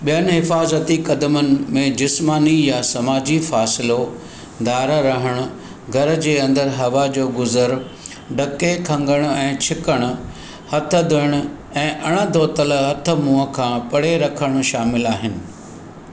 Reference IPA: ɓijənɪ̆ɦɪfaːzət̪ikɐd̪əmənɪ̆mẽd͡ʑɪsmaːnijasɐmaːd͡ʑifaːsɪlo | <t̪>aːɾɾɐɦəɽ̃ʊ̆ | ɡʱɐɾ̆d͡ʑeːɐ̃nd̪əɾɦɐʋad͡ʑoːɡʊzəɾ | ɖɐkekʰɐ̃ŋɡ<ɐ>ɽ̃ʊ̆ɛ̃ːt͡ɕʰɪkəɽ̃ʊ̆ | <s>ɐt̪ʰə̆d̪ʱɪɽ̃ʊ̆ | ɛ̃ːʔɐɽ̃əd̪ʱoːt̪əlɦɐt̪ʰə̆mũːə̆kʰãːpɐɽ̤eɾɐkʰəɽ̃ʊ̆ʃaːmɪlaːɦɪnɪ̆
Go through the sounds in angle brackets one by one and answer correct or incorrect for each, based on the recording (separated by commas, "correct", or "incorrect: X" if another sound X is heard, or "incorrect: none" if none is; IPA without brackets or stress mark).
incorrect: d̪, incorrect: ə, incorrect: h